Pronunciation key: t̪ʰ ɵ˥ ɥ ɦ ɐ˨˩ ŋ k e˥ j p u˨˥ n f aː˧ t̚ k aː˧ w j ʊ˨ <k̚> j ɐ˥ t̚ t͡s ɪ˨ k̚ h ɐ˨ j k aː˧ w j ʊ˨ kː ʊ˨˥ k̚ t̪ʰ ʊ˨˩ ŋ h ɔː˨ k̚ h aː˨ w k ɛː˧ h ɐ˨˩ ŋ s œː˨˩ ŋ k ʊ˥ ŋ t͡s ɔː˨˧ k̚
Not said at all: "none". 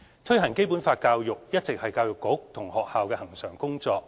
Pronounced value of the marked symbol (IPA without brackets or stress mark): k̚